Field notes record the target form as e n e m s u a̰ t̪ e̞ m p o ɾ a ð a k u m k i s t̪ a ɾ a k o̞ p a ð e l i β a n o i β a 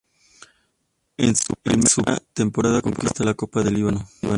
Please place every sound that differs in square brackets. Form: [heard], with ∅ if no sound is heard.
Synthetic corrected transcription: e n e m s u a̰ t̪ e̞ m p o ɾ a ð a k [o] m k i s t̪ a [l] a k o̞ p a ð e l i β a n o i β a